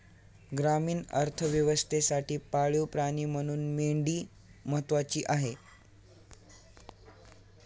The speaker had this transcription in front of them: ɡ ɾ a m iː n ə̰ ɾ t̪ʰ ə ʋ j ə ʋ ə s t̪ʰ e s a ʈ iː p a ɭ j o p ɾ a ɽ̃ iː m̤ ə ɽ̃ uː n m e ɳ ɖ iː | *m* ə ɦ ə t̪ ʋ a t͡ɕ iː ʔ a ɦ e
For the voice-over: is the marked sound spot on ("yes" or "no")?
yes